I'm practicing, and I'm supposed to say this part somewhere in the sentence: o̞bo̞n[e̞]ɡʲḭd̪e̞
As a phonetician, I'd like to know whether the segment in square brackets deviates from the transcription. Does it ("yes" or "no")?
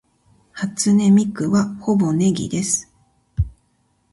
no